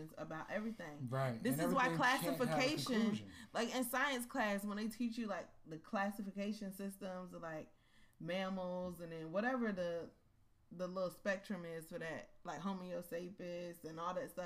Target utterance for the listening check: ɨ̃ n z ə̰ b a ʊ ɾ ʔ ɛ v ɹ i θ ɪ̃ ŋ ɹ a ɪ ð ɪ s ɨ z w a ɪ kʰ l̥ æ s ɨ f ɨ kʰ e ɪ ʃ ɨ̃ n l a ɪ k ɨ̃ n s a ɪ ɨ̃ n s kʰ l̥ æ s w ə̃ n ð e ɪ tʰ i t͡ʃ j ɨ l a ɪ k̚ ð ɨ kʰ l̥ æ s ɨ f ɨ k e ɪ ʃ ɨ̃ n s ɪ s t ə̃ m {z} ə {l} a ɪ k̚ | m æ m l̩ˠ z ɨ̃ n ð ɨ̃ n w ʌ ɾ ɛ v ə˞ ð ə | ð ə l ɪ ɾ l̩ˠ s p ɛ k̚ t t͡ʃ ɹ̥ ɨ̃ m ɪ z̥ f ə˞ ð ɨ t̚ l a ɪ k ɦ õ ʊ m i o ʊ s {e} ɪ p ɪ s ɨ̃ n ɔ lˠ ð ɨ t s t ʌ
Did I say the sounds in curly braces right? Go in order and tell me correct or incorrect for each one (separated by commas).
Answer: correct, correct, correct